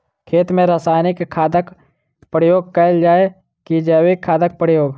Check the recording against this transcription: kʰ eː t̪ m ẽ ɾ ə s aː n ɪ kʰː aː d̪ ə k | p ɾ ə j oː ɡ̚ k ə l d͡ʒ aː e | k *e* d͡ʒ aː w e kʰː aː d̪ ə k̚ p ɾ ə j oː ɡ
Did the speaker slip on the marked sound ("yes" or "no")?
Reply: yes